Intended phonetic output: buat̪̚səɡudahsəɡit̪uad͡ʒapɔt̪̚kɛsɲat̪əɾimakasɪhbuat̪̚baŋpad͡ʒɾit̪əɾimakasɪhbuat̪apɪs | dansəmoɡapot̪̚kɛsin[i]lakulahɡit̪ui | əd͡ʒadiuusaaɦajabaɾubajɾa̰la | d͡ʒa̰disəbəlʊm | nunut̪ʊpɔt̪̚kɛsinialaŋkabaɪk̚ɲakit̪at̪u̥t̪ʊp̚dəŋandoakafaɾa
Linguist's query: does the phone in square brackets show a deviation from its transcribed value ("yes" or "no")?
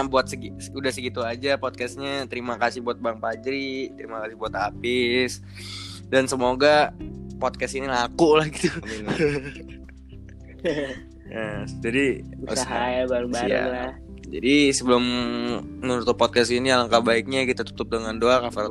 no